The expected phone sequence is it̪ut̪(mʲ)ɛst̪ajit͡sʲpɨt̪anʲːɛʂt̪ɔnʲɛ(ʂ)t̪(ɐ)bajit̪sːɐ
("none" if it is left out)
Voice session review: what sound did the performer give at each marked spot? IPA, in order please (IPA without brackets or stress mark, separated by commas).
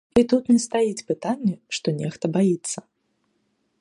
nʲ, x, ɐ